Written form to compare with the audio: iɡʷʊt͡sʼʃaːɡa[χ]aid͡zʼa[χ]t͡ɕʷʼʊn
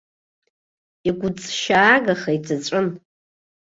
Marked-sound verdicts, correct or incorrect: correct, incorrect

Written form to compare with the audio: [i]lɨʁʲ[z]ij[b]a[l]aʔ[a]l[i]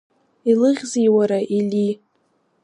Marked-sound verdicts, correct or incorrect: correct, correct, incorrect, incorrect, incorrect, correct

